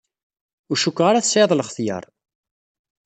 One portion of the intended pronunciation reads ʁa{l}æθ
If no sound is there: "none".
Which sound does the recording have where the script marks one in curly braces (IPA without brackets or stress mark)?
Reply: ɾ